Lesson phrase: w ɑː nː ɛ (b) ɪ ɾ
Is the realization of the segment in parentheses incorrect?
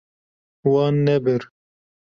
no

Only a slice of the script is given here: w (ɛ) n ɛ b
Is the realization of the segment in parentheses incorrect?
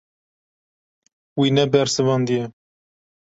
yes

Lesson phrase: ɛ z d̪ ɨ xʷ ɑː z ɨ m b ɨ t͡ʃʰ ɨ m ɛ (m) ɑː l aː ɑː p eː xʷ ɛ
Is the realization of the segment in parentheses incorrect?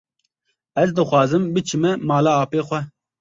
no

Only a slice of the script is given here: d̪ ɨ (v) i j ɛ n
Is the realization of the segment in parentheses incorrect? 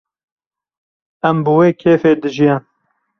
yes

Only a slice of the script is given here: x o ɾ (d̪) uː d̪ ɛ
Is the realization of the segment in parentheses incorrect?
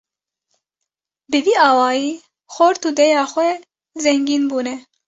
yes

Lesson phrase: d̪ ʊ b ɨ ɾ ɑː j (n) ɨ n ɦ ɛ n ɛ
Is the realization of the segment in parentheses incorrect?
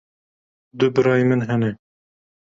yes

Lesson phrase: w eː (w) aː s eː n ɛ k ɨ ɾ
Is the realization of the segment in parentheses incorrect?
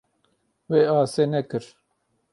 yes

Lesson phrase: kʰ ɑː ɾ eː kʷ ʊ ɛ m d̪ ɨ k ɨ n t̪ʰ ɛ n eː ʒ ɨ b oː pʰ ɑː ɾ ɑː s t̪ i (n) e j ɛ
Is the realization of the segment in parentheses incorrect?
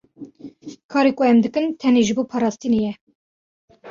no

